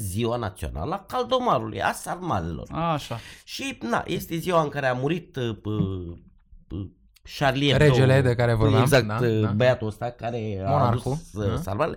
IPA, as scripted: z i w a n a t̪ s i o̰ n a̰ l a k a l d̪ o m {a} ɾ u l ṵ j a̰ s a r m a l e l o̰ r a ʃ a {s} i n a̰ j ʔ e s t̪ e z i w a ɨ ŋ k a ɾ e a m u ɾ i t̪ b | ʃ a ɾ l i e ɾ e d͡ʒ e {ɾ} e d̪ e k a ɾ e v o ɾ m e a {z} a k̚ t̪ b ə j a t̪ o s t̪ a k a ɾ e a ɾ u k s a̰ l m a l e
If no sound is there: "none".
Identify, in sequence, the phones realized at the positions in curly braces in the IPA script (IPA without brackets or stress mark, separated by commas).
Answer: a, ʃ, l, z